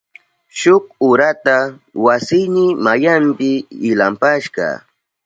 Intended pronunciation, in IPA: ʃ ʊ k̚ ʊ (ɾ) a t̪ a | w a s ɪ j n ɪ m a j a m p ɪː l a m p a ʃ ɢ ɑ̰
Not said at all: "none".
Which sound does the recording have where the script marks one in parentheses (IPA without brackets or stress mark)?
ɾ